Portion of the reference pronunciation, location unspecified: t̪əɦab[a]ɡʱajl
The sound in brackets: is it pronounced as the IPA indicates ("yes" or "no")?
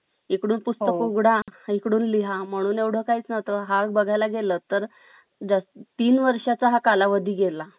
no